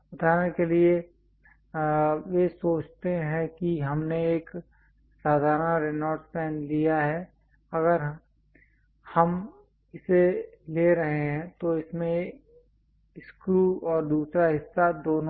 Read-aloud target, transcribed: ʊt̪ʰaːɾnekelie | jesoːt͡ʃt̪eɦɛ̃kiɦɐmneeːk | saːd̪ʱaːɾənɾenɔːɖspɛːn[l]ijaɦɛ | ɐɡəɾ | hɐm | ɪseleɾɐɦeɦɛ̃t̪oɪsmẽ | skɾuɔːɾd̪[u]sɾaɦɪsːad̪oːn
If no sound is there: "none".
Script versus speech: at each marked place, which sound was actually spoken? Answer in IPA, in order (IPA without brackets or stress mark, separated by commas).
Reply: l, uː